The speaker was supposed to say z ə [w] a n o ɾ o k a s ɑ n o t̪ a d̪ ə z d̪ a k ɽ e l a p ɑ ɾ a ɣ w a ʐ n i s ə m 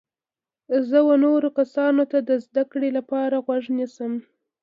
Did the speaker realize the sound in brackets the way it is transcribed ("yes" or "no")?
yes